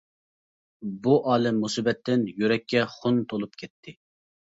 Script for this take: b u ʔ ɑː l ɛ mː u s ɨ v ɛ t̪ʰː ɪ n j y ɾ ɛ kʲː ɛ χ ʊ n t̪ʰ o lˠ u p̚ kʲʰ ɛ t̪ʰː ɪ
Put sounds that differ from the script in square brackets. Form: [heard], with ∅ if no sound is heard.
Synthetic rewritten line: b u ʔ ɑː l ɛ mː u s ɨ [b] ɛ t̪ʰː ɪ n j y ɾ ɛ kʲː ɛ χ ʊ n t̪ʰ o lˠ u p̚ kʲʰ ɛ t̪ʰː ɪ